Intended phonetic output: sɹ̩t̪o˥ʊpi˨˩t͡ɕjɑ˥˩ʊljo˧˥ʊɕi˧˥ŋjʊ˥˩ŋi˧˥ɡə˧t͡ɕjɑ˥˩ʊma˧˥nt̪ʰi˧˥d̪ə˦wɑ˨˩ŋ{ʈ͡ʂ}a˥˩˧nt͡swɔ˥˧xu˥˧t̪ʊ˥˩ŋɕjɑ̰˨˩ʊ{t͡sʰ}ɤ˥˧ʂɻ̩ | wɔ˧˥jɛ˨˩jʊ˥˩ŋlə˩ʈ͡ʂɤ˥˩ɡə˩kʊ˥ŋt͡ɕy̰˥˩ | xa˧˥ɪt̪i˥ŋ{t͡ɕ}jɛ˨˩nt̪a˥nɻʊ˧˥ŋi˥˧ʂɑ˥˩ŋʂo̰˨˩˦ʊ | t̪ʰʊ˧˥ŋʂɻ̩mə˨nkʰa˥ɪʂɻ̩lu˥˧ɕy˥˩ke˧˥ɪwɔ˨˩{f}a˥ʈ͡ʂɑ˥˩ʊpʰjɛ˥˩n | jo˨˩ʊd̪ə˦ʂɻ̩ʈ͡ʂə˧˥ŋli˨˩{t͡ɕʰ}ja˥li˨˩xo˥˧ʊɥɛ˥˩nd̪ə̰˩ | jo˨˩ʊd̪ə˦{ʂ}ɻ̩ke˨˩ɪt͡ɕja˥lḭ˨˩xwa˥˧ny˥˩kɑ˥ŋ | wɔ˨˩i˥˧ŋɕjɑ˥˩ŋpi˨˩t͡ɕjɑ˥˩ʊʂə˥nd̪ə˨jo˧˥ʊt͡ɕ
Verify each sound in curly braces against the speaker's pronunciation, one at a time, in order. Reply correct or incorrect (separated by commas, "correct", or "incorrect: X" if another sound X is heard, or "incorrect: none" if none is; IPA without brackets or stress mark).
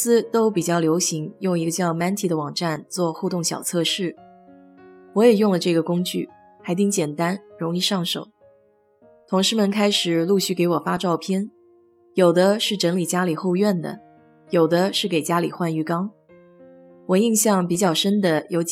correct, correct, correct, correct, incorrect: t͡ɕ, correct